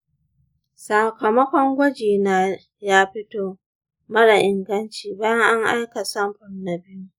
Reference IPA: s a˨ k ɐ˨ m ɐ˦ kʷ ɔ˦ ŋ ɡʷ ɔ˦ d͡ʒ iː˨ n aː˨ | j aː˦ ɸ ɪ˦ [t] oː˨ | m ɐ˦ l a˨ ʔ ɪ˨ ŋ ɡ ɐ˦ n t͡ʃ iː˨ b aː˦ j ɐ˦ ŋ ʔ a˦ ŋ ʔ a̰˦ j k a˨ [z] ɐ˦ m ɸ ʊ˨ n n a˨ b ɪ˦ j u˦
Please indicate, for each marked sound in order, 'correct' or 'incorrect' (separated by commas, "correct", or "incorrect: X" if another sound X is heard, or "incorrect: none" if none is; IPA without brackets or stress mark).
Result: correct, incorrect: s